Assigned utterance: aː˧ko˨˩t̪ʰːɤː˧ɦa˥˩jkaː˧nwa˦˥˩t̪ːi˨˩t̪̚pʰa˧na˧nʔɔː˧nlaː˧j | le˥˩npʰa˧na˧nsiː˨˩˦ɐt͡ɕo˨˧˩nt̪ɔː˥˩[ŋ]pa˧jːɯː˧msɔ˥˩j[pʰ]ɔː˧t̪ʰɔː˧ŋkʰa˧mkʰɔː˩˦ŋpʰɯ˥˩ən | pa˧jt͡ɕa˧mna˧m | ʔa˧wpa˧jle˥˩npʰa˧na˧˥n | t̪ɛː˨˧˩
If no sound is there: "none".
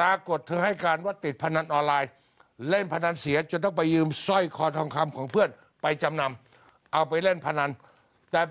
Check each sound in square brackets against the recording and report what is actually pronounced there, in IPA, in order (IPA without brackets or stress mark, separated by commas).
ŋ, kʰ